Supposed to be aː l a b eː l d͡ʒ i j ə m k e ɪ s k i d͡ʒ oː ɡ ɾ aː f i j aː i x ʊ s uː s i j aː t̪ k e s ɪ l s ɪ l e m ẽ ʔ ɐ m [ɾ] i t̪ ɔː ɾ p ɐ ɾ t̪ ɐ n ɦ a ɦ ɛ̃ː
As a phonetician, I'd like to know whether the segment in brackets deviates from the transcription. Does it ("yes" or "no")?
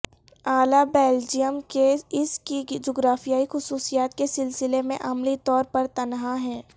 yes